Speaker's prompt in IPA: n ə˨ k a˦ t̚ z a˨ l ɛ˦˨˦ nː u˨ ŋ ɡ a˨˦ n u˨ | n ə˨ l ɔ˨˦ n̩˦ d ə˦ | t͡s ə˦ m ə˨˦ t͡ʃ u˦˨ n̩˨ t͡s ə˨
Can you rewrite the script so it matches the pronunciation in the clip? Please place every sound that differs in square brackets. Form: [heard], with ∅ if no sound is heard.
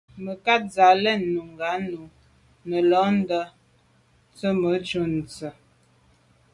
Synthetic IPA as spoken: [m] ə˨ k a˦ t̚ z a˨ l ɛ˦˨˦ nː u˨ ŋ ɡ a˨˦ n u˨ | n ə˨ l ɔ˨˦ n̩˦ d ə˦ | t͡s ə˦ m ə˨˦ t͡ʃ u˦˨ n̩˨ t͡s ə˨